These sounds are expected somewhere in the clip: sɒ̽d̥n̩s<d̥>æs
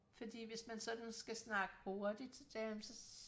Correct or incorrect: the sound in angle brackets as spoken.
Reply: incorrect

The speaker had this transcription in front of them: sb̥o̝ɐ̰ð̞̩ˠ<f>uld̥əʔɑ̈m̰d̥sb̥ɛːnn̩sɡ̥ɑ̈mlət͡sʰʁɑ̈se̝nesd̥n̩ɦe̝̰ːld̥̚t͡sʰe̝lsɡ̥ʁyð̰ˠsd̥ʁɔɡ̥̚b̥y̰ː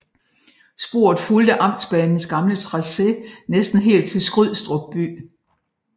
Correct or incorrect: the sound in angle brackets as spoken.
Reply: correct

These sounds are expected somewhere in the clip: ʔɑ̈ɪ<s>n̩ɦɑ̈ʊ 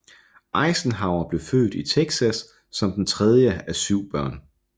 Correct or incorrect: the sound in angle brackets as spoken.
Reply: correct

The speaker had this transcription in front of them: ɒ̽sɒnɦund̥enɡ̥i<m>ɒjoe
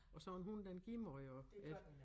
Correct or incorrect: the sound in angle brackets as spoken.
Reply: correct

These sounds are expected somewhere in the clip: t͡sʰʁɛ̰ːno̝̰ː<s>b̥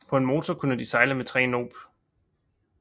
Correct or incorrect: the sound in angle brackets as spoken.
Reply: incorrect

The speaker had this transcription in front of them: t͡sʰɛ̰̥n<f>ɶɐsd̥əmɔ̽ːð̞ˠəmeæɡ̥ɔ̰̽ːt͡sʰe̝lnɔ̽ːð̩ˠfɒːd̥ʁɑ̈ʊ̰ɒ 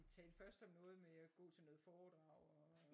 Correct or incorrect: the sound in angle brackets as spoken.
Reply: correct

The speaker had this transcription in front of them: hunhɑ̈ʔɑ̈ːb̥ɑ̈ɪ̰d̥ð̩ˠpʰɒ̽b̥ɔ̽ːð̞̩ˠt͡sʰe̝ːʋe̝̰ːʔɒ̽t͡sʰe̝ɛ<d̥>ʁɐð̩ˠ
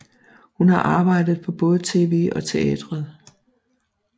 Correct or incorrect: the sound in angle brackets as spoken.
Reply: correct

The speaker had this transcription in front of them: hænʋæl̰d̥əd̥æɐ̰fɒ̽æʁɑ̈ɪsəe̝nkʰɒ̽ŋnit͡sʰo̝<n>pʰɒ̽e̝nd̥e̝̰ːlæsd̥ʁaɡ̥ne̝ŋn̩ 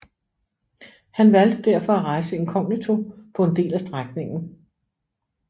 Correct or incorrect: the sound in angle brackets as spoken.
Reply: incorrect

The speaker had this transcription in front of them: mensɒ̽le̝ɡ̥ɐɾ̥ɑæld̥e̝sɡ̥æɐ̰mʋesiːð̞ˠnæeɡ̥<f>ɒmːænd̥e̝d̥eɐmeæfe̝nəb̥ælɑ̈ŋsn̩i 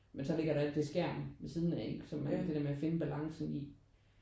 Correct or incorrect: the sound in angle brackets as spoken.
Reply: incorrect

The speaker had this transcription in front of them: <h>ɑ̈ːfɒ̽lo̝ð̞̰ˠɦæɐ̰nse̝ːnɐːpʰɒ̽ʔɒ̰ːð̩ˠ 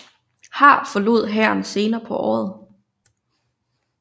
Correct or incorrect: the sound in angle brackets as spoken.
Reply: correct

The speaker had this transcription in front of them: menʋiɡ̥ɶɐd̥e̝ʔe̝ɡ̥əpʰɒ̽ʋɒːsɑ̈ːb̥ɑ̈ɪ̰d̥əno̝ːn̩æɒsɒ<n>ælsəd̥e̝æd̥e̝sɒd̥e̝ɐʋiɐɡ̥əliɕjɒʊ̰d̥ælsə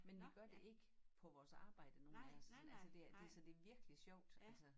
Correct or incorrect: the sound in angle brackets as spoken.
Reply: correct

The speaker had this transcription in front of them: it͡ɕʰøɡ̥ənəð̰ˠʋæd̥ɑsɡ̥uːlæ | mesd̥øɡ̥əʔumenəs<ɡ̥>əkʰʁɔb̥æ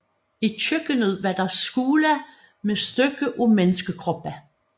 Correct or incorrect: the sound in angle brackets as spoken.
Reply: correct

